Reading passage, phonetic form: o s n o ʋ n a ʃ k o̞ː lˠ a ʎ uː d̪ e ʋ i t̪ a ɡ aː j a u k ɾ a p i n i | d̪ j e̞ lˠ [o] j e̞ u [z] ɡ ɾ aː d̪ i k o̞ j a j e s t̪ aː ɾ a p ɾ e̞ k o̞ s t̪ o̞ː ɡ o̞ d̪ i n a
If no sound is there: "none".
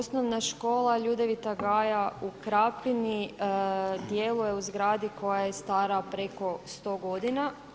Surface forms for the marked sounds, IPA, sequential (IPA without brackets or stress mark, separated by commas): u, z